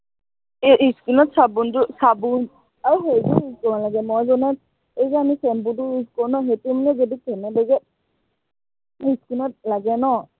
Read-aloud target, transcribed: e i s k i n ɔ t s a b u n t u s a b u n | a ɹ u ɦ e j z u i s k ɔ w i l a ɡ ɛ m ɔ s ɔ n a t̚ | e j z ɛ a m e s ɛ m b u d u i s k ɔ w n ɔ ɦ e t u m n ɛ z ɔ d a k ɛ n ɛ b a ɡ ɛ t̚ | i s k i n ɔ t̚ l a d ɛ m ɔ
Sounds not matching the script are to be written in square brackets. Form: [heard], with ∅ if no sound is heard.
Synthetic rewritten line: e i s k i n ɔ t s a b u n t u s a b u n | a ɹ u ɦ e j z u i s k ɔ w [a] l a ɡ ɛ m ɔ [z] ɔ n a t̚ | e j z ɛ a m [i] s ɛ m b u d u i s k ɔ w n ɔ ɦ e t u m n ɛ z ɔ d [i] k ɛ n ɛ b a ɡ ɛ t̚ | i s k i n ɔ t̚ l a [ɡ] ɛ [n] ɔ

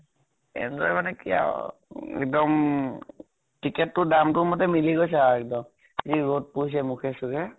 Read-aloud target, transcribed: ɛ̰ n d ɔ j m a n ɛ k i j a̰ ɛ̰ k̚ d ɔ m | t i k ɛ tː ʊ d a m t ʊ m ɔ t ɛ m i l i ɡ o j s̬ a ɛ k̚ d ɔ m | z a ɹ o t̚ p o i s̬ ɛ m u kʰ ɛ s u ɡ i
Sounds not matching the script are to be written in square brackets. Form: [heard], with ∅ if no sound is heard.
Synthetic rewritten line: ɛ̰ n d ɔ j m a n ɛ k i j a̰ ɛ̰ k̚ d ɔ m | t i k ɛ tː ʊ d a m t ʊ m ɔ t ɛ m i l i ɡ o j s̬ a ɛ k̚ d ɔ m | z [i] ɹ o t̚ p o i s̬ ɛ m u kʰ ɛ s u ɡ [ɛ]

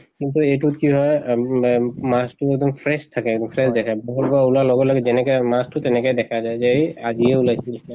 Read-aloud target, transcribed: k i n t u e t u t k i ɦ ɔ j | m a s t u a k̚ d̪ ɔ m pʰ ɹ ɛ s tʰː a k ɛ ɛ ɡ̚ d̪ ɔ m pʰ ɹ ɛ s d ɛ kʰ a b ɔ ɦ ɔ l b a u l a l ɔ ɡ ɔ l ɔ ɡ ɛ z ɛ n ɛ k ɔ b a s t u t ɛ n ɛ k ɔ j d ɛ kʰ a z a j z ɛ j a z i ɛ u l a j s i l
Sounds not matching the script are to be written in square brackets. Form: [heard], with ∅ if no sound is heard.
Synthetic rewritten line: k i n t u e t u t k i ɦ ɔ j | m a s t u [ɛ] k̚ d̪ ɔ m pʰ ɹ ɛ s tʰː a k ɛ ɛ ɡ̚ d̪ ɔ m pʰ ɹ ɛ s d ɛ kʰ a b ɔ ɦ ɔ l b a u l a l ɔ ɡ ɔ l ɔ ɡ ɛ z ɛ n ɛ k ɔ [m] a s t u t ɛ n ɛ k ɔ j d ɛ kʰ a z a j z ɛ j a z i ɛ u l a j s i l

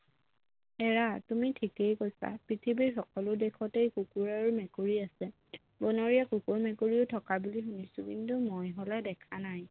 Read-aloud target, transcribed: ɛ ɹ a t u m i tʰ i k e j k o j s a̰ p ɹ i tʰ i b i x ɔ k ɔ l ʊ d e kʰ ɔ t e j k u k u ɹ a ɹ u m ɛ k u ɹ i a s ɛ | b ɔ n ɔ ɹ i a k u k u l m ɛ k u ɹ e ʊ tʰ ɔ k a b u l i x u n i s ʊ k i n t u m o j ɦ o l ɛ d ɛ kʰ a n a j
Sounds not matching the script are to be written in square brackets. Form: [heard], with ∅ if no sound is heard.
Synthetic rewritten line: ɛ ɹ a t u m i tʰ i k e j k o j s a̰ p ɹ i tʰ i b i x ɔ k ɔ l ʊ d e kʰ ɔ t e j k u k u ɹ a ɹ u m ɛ k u ɹ i a s ɛ | b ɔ n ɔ ɹ i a k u k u [ɹ] m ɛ k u ɹ [i] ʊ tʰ ɔ k a b u l i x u n i s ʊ k i n t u m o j ɦ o l ɛ d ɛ kʰ a n a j

